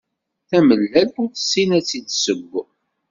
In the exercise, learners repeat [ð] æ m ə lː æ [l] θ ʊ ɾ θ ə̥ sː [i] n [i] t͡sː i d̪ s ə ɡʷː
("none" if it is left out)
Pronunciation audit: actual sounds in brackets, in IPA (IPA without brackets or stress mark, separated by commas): θ, l, i, æ